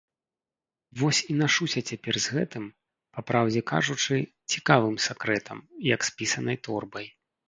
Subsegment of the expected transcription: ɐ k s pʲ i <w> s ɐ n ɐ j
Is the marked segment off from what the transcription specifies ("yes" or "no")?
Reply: yes